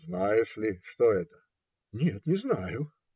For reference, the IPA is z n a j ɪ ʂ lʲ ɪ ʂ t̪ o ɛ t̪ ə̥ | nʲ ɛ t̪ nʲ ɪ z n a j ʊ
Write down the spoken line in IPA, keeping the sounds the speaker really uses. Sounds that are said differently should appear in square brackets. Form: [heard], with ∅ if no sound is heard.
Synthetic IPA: z n a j ɪ ʂ lʲ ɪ ʂ t̪ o ɛ t̪ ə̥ | nʲ [e] t̪ nʲ ɪ z n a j ʊ